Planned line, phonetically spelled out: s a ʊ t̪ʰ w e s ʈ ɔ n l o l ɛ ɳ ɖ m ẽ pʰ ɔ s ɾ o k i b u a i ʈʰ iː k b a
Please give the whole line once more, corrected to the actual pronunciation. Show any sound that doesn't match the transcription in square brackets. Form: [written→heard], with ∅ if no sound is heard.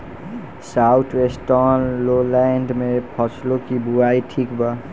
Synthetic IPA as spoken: s a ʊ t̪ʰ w e s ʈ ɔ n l o l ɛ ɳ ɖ m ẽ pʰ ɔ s [ɾ→l] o k i b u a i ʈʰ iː k b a